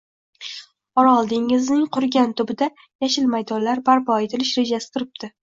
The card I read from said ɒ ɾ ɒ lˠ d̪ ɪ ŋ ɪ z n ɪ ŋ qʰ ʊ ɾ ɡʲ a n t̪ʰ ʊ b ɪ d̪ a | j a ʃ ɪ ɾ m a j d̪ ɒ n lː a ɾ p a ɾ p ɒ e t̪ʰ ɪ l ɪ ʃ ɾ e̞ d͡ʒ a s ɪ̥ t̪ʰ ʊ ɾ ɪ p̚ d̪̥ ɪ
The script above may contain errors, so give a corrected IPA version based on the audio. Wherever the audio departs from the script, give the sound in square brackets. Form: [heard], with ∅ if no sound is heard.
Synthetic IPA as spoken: ɒ ɾ ɒ lˠ d̪ ɪ ŋ ɪ z n ɪ ŋ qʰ ʊ ɾ ɡʲ a n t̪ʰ ʊ b ɪ d̪ a | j a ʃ ɪ [l] m a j d̪ ɒ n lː a ɾ [b] a ɾ p ɒ e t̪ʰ ɪ l ɪ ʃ ɾ e̞ d͡ʒ a s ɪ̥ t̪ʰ ʊ ɾ ɪ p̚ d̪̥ ɪ